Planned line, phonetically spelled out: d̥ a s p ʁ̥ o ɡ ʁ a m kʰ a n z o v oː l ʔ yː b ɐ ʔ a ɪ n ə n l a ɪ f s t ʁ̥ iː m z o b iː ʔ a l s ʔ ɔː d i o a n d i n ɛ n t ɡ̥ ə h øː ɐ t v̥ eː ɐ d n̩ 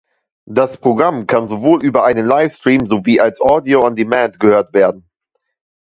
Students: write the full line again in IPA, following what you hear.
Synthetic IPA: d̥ a s p ʁ̥ o ɡ ʁ a m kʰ a n z o v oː l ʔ yː b ɐ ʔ a ɪ n ə n l a ɪ f s t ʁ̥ iː m z o v iː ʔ a l s ʔ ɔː d i o a n d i m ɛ n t ɡ̥ ə h øː ɐ t v̥ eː ɐ d n̩